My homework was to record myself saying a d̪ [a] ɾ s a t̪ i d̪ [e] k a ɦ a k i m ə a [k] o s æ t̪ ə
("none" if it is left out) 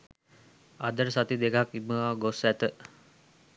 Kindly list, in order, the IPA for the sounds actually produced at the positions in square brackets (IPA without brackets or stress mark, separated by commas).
ə, e, ɡ